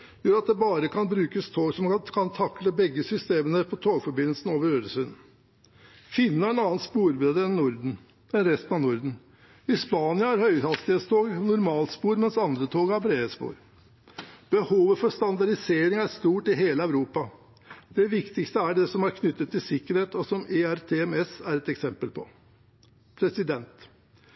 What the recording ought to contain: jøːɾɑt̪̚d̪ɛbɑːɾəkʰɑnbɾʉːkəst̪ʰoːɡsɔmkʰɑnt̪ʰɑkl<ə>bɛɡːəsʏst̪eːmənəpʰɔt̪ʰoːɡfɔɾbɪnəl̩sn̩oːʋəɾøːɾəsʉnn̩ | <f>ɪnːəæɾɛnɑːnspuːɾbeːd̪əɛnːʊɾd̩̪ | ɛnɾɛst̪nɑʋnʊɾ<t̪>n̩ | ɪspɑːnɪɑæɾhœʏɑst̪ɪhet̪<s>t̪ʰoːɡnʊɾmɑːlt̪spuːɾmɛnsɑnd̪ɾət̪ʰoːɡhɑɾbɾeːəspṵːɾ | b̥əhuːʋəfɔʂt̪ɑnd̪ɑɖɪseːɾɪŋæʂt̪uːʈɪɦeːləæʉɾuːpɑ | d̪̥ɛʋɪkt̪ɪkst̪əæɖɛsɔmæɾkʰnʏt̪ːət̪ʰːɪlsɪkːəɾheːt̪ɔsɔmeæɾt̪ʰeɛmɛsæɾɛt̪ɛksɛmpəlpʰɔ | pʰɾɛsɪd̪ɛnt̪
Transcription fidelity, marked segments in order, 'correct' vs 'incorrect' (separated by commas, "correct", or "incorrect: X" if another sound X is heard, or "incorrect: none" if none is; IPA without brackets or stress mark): correct, correct, incorrect: d̪, correct